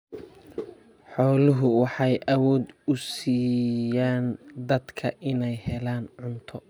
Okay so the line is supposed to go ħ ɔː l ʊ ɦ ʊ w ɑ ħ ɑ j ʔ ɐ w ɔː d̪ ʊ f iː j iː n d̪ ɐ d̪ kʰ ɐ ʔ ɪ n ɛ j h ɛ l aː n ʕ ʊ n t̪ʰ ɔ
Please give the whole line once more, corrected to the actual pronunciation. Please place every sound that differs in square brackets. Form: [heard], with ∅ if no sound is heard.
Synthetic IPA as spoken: ħ ɔː l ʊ ɦ ʊ w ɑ ħ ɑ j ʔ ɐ w ɔː d̪ ʊ [s] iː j [aː] n d̪ ɐ d̪ kʰ ɐ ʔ ɪ n ɛ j h ɛ l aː n ʕ ʊ n t̪ʰ ɔ